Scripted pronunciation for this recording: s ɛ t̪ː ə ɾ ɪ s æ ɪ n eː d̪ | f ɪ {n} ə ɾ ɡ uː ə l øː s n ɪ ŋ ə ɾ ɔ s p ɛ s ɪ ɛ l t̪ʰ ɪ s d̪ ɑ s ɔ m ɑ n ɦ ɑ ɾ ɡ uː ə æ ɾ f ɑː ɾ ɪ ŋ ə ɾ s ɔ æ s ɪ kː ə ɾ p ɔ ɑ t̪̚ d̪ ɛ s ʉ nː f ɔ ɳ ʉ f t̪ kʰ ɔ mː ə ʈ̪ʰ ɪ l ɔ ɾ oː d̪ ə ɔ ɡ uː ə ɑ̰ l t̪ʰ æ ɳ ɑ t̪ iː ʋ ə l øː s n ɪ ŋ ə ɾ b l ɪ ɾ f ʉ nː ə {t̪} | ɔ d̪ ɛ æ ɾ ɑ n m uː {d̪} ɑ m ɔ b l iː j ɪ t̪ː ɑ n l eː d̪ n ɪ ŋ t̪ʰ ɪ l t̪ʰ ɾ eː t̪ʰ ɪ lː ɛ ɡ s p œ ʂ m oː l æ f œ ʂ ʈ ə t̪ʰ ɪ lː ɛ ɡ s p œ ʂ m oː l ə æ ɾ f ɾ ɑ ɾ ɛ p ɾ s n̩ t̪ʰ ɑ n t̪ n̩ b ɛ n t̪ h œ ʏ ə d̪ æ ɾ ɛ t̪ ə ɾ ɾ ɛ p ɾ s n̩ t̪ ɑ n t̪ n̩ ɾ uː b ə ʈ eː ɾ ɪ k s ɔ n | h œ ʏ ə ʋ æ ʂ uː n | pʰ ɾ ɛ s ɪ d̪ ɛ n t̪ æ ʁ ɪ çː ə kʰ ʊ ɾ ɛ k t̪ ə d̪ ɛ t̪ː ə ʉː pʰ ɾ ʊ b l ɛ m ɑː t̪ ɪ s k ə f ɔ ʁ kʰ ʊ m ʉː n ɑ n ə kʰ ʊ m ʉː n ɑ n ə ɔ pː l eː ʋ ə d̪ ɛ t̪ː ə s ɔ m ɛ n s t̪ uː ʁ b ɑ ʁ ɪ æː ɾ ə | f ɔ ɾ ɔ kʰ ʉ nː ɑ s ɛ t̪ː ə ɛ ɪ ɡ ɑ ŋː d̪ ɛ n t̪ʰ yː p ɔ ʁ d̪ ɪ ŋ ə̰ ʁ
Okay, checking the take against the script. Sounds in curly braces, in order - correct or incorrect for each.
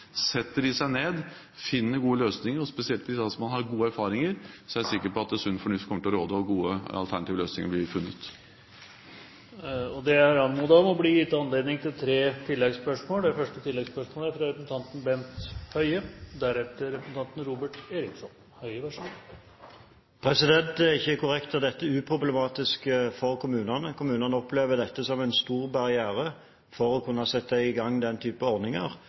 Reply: incorrect, correct, correct

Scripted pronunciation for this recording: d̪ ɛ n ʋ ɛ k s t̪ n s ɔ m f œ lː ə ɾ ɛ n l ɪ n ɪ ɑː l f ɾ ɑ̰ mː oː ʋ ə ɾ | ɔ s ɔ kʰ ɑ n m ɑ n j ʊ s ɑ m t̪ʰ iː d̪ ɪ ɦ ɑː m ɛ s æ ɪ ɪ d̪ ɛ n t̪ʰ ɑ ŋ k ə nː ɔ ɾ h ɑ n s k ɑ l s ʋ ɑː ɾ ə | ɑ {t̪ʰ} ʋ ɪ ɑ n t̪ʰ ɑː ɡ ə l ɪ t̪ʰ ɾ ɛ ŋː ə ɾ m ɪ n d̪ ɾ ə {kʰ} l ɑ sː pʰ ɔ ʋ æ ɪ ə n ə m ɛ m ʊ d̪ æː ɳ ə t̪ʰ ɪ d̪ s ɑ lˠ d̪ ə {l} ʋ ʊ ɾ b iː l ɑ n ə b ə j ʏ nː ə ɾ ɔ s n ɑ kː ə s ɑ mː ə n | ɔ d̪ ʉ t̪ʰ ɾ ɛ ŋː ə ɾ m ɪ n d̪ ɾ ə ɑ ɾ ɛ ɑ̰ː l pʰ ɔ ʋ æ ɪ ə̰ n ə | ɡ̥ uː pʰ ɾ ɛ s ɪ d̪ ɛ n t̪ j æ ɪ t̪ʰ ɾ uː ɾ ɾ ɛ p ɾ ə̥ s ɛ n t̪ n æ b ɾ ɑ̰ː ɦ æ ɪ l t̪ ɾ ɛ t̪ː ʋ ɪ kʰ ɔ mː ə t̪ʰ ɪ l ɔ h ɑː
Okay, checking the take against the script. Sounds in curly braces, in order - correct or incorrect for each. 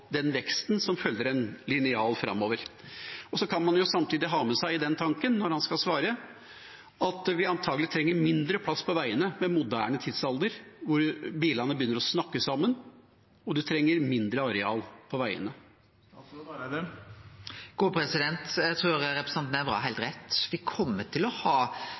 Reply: incorrect, incorrect, incorrect

